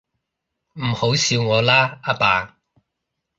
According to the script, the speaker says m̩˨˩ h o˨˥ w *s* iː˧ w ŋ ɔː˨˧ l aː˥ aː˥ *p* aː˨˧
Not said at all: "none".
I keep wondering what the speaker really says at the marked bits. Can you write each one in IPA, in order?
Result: s, p

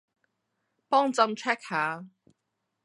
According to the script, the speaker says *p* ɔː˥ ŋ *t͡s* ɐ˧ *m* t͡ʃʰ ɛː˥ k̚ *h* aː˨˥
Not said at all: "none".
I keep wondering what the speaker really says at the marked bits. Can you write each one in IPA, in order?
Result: p, t͡s, m, h

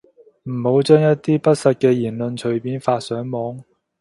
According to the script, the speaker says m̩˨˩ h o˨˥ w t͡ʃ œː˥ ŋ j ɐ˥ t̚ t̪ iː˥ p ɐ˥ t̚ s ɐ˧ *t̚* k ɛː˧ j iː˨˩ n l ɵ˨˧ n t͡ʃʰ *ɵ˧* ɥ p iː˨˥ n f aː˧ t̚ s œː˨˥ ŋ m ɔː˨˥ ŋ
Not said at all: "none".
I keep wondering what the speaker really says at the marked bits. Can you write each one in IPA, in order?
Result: t̚, ɵ˨˩

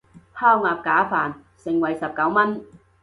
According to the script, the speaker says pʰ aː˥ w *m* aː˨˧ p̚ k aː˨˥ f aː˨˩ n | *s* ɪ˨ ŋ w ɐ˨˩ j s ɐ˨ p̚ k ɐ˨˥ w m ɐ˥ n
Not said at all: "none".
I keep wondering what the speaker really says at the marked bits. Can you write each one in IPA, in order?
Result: ŋ, s

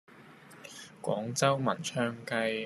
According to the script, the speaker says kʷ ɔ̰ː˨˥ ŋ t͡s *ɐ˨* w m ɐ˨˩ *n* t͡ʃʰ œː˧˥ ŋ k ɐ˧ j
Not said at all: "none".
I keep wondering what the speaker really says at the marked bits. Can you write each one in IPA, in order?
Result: ɐ˥, n

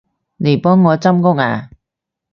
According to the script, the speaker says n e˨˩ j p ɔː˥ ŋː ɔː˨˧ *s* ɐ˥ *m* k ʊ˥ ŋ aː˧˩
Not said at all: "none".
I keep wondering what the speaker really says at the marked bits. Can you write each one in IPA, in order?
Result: t͡s, m

